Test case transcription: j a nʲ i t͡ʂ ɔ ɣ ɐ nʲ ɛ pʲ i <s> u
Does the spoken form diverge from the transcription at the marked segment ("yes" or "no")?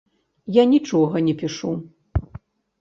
yes